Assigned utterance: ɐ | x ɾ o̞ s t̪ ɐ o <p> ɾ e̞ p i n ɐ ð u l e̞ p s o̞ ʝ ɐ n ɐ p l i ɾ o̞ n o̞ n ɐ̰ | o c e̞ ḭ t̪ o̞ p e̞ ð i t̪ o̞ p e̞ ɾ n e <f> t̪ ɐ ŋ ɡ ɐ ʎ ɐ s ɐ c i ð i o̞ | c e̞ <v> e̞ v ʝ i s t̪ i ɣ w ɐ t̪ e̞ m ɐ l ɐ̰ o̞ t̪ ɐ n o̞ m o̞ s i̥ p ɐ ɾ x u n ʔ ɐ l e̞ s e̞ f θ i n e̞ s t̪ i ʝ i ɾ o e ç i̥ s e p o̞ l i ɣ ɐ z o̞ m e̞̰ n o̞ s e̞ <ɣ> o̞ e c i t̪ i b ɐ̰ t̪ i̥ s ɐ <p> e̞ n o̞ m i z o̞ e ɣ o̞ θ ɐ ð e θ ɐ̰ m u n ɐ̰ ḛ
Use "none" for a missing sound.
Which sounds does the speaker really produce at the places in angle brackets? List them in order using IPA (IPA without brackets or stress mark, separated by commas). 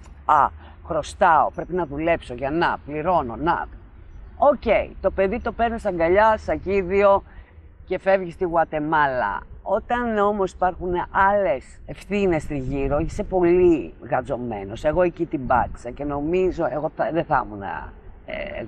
p, s, f, ɣ, c